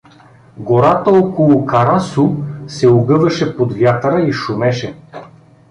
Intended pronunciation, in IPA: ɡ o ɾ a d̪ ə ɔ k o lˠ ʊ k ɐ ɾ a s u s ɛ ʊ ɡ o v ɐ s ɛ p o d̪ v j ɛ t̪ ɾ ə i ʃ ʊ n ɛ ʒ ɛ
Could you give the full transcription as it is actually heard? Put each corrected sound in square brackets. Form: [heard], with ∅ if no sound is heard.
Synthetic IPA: ɡ o ɾ a [t̪] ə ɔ k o lˠ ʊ k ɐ ɾ a s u s ɛ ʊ ɡ [ɤ] v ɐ [ʃ] ɛ p o d̪ v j [a] t̪ ɾ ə i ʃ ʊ [m] ɛ [ʃ] ɛ